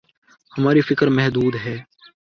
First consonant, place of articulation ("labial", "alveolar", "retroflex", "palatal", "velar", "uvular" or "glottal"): glottal